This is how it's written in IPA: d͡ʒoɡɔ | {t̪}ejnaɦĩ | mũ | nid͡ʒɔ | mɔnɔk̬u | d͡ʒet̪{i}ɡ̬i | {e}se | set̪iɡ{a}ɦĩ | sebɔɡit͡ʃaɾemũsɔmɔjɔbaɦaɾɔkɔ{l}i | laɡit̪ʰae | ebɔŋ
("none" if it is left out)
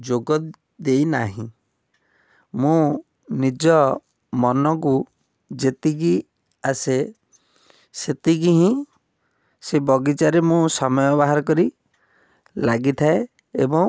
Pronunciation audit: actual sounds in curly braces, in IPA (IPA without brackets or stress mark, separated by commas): d̪, i, a, i, ɾ